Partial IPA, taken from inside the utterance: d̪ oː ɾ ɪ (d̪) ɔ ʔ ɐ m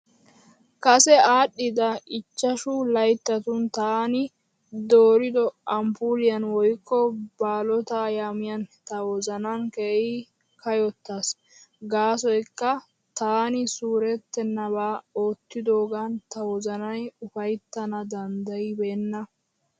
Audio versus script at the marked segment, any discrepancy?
no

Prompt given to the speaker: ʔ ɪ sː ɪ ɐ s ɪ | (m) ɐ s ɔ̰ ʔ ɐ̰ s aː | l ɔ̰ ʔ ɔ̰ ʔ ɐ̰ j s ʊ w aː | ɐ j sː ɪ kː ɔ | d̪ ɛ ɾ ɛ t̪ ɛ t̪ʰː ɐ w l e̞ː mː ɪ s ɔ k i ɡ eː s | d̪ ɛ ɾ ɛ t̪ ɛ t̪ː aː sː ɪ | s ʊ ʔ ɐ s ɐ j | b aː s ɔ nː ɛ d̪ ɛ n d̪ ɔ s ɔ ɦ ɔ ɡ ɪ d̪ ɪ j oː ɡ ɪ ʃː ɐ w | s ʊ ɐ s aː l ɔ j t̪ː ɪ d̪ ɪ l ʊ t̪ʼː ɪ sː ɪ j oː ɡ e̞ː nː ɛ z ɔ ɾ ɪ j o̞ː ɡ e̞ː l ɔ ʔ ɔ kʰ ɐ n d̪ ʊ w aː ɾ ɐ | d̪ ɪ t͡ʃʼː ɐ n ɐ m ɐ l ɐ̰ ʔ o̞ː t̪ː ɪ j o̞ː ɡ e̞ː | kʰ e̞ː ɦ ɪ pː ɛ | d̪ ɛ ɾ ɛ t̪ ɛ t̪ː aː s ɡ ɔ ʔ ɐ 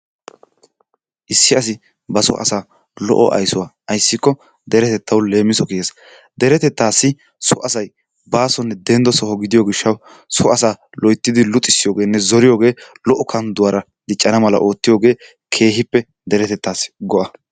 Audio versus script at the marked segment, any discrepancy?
yes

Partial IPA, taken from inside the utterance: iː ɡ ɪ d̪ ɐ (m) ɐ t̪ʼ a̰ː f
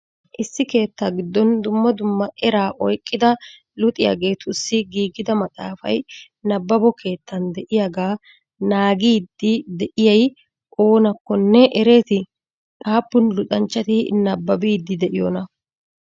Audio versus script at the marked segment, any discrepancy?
no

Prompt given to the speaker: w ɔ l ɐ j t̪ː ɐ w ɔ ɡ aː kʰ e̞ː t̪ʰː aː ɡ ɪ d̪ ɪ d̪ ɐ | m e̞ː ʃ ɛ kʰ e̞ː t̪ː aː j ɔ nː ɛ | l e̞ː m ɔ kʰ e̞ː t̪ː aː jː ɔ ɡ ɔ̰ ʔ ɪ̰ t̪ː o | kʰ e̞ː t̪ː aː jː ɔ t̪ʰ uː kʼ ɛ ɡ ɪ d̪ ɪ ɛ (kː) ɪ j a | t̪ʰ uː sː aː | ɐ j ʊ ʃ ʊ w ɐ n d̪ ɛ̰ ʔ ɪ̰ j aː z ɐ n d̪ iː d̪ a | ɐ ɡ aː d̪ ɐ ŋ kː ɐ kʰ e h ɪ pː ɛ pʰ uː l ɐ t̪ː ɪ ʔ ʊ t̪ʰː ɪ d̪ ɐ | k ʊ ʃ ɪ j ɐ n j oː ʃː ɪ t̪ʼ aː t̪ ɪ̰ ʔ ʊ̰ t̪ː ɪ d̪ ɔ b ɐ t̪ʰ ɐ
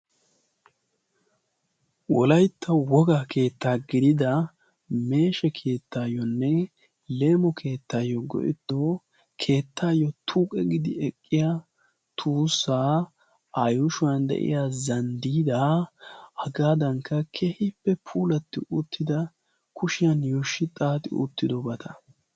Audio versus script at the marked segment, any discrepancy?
yes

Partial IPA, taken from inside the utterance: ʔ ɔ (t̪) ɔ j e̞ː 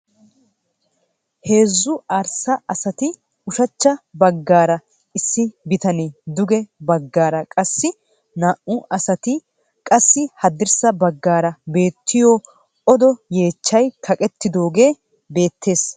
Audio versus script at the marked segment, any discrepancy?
yes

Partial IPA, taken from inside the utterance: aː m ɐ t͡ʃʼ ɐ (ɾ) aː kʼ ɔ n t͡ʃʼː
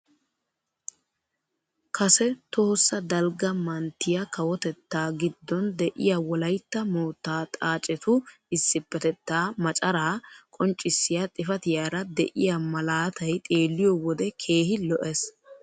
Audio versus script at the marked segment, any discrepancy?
no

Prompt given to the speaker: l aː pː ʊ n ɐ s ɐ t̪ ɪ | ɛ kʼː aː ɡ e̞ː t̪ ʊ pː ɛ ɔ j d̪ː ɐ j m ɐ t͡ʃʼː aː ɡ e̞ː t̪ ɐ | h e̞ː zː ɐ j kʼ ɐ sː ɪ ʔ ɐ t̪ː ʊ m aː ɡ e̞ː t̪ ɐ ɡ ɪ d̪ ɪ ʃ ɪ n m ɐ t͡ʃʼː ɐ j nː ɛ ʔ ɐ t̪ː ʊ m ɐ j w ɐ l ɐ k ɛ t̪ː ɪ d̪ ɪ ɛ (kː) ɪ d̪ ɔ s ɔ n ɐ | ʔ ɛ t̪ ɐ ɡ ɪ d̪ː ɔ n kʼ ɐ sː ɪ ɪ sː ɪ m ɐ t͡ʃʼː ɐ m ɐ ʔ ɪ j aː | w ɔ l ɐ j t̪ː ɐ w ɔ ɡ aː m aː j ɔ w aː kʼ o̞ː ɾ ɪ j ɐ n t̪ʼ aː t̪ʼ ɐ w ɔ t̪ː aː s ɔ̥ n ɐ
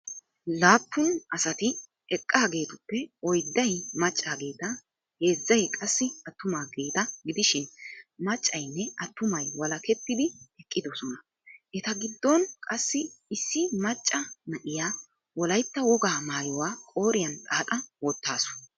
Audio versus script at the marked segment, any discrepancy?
yes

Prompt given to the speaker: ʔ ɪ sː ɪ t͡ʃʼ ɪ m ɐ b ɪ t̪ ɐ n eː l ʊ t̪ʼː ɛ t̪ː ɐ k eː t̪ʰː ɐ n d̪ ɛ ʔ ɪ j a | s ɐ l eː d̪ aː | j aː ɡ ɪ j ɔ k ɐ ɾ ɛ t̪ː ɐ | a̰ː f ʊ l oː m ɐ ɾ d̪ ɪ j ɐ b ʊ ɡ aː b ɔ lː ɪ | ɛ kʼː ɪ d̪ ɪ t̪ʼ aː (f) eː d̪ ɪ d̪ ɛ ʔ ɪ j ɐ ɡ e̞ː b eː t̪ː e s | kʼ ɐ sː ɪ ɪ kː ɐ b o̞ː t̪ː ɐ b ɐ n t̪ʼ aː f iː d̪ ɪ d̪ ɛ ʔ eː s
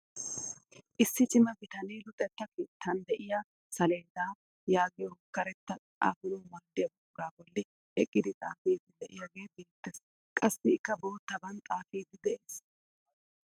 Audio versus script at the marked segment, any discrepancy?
no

